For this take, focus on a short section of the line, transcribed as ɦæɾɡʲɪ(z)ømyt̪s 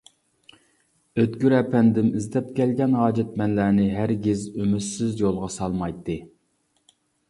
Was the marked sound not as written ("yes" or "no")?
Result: no